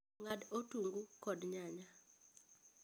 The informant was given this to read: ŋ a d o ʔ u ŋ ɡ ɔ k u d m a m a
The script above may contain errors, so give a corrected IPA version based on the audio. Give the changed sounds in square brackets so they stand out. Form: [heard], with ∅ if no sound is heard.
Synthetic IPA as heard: ŋ a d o [t] u ŋ ɡ [u] k [ɔ] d [ɲ] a [ɲ] a